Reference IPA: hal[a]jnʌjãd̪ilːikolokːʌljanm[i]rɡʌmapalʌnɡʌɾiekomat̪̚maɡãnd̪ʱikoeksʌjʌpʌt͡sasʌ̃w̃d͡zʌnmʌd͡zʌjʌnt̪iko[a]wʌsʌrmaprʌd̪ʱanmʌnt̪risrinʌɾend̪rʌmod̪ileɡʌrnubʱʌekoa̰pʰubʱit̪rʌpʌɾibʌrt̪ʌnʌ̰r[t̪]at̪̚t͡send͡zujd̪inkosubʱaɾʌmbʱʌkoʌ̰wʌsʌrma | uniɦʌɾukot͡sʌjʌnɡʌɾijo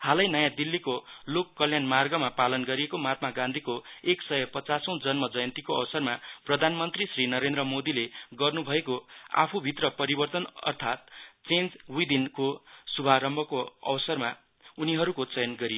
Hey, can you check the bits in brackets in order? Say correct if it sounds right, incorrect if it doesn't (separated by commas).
incorrect, incorrect, incorrect, incorrect